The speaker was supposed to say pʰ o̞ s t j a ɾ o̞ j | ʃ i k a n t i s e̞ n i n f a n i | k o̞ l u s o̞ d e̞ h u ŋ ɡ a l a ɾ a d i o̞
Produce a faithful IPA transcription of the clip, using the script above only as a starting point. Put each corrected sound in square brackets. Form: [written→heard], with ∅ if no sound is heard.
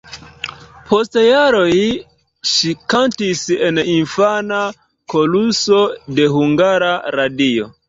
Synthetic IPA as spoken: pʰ o̞ s t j a ɾ o̞ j | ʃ i k a n t i s e̞ n i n f a n [i→a] | k o̞ l u s o̞ d e̞ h u ŋ ɡ a [l→ɾ] a ɾ a d i o̞